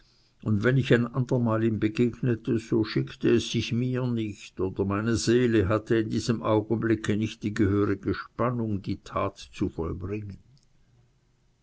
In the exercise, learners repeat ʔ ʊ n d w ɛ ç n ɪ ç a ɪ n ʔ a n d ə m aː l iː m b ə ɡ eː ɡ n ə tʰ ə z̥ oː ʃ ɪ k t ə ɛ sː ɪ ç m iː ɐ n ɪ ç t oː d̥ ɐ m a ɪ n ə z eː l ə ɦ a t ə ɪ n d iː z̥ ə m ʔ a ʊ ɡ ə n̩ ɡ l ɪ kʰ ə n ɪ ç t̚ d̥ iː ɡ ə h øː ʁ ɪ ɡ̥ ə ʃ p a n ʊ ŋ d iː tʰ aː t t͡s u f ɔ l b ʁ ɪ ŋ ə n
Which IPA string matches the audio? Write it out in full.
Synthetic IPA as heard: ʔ ʊ n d v ɛ n ɪ ç a ɪ n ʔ a n d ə m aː l iː m b ə ɡ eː ɡ n ə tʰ ə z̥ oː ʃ ɪ k t ə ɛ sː ɪ ç m iː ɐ n ɪ ç t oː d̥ ɐ m a ɪ n ə z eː l ə ɦ a t ə ɪ n d iː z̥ ə m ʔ a ʊ ɡ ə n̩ b l ɪ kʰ ə n ɪ ç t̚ d̥ iː ɡ ə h øː ʁ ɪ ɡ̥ ə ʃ p a n ʊ ŋ d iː tʰ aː t t͡s u f ɔ l b ʁ ɪ ŋ ə n